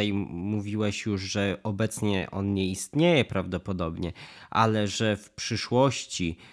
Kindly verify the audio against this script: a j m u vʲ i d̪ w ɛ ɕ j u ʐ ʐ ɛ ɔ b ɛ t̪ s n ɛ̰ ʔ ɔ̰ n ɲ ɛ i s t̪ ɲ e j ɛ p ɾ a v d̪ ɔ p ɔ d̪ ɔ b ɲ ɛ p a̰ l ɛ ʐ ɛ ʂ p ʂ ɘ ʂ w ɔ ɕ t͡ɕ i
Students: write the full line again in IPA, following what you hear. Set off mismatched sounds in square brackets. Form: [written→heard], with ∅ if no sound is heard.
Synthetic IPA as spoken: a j m u vʲ i [d̪→∅] w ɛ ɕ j u ʐ ʐ ɛ ɔ b ɛ t̪ s [n→ɲ] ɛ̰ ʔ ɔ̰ n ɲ ɛ i s t̪ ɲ e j ɛ p ɾ a v d̪ ɔ p ɔ d̪ ɔ b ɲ ɛ [p→ʔ] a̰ l ɛ ʐ ɛ [ʂ→f] p ʂ ɘ ʂ w ɔ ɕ t͡ɕ i